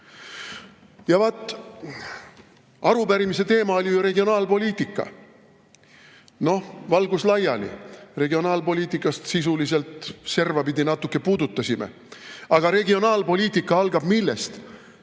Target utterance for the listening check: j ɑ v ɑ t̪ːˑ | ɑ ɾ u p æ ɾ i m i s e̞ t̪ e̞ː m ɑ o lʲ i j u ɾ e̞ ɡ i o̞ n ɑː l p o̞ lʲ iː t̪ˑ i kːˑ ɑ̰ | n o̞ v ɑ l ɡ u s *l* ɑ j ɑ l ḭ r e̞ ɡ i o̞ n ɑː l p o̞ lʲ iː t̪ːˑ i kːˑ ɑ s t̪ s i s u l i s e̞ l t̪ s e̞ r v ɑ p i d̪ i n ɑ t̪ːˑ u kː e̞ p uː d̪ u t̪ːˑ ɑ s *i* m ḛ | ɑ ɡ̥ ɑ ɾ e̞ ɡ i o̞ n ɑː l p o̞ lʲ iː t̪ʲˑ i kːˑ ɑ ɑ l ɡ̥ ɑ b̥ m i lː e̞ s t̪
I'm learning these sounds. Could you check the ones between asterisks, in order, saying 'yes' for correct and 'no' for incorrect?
yes, yes

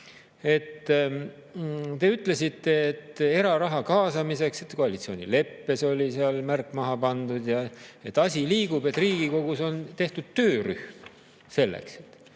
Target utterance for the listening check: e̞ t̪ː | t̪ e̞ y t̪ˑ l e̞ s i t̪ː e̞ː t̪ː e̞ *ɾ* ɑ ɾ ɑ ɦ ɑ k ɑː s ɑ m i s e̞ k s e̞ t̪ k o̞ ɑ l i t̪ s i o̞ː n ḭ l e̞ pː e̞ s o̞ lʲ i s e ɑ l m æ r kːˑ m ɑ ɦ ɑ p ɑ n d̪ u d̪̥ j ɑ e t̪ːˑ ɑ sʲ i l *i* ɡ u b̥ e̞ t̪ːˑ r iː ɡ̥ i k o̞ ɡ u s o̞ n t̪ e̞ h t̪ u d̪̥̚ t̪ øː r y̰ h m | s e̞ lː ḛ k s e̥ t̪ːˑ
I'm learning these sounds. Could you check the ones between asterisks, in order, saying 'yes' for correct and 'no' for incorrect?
yes, no

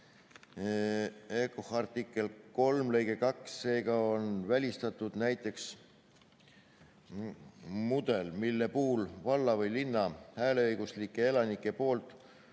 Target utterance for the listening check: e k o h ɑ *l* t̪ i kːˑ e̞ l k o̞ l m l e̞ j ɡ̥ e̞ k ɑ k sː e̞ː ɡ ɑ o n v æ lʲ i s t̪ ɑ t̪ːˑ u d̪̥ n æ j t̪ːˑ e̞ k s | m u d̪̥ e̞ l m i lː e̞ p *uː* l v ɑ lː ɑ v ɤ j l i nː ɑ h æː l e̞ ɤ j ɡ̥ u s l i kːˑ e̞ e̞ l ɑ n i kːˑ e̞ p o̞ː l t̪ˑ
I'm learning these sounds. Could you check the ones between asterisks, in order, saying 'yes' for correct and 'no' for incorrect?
no, yes

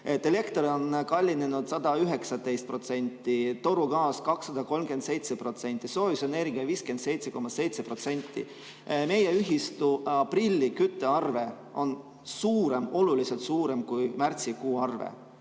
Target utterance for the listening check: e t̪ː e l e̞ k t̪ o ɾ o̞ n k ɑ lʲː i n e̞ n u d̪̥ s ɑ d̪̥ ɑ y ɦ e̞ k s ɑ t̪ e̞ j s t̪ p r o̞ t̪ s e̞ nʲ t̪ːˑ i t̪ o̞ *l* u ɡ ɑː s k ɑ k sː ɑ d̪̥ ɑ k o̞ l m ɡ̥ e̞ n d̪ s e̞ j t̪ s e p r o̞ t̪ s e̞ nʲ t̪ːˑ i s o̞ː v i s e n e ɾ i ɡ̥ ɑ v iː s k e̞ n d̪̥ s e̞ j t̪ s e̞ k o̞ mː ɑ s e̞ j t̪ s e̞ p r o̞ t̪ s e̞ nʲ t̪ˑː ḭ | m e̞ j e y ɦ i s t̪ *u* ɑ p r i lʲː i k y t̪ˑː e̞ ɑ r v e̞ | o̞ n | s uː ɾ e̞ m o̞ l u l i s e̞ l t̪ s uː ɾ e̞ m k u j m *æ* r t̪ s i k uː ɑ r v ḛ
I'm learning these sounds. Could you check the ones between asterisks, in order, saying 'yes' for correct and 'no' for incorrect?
no, yes, yes

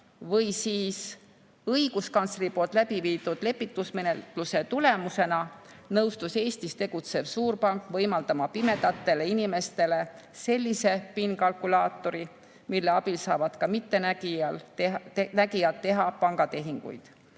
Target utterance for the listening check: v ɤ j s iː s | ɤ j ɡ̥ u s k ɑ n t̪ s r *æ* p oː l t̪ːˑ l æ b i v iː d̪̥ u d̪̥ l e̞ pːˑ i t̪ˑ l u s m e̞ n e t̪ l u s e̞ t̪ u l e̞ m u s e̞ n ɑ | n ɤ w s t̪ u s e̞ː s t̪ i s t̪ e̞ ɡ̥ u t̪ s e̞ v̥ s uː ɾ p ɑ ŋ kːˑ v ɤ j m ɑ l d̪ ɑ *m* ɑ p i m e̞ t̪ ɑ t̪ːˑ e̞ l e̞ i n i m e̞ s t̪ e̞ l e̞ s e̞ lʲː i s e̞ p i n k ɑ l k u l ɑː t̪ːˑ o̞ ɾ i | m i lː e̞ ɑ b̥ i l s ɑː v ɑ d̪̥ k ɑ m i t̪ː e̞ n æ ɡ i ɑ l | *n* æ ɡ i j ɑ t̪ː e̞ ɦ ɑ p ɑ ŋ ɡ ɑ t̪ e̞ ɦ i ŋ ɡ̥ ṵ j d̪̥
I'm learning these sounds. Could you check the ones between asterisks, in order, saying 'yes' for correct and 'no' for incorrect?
no, yes, yes

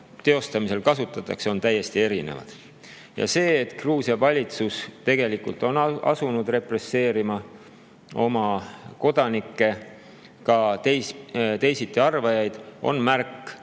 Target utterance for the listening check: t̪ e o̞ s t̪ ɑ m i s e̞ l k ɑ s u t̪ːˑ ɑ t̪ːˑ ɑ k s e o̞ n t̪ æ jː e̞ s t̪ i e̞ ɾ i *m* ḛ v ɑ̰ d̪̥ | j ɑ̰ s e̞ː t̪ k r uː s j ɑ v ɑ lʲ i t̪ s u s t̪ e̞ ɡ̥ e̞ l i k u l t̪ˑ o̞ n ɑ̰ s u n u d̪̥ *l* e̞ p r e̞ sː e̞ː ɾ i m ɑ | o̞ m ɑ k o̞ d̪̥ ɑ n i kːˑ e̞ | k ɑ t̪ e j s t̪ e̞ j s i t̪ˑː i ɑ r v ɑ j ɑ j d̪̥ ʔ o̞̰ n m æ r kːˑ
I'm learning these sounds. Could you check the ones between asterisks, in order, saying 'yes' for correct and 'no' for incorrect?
no, no

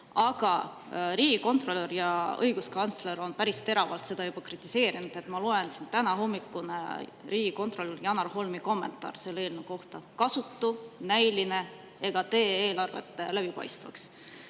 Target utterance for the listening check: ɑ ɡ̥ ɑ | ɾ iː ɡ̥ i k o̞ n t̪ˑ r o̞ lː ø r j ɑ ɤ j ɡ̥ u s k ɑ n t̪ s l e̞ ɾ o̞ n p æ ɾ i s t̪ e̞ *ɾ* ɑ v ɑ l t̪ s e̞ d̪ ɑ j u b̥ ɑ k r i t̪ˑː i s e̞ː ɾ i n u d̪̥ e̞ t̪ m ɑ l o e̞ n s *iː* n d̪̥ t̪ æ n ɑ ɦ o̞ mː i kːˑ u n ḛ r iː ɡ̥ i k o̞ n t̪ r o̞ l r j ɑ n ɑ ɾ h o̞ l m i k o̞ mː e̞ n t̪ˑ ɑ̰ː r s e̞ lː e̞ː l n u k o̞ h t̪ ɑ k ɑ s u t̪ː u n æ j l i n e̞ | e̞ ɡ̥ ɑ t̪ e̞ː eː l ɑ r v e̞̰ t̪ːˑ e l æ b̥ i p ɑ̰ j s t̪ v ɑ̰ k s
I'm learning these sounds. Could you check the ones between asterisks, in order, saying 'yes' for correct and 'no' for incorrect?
yes, no

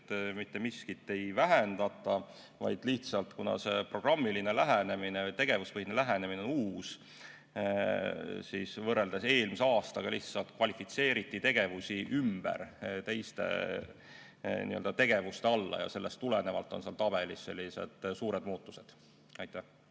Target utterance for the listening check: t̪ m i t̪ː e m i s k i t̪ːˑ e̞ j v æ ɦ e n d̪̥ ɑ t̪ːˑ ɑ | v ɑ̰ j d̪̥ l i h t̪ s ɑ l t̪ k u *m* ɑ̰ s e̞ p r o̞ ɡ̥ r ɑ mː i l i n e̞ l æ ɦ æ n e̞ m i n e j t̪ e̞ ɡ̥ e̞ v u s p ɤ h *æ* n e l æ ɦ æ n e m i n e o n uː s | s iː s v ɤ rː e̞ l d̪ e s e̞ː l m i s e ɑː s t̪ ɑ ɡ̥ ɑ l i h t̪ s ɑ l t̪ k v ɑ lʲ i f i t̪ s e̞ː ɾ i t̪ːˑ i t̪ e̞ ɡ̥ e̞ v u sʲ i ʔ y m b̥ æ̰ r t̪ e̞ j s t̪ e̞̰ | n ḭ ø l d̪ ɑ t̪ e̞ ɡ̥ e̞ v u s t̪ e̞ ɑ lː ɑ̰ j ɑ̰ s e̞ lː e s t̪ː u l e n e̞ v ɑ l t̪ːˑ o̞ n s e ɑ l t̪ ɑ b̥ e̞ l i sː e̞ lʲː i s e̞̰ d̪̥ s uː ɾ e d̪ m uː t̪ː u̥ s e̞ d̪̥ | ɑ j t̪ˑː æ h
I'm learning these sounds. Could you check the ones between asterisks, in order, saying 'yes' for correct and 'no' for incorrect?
no, no

